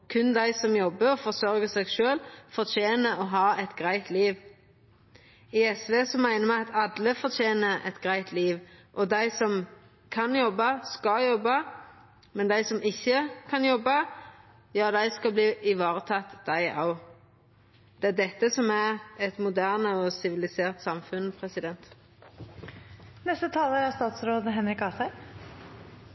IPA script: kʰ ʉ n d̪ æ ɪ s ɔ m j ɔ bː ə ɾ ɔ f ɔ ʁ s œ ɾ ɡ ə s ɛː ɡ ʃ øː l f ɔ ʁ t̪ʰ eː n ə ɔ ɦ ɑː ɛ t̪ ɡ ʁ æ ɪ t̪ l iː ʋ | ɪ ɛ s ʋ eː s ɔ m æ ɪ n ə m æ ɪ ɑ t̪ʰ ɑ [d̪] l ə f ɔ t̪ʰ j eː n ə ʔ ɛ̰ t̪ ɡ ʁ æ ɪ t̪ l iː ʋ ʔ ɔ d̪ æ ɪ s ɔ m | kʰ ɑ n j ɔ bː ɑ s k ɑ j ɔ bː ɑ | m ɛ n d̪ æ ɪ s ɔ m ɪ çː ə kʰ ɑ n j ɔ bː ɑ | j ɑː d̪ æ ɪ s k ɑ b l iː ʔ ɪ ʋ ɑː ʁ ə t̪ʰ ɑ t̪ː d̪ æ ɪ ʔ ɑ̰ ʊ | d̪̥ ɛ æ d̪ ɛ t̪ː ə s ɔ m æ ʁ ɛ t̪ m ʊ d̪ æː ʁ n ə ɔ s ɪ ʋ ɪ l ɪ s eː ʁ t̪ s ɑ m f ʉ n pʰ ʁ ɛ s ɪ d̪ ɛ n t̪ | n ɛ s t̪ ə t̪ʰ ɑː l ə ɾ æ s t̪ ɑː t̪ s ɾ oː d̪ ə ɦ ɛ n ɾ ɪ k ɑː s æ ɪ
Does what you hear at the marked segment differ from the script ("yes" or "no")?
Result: no